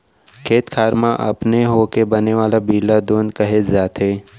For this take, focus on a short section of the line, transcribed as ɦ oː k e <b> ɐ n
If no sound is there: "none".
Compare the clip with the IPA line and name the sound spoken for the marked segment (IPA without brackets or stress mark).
b